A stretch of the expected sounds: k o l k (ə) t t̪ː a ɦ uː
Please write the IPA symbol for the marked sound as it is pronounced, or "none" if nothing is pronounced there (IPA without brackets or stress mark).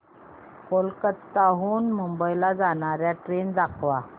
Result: ə